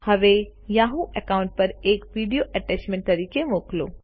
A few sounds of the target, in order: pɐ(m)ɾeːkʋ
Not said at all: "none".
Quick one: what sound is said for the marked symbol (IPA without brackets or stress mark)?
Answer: none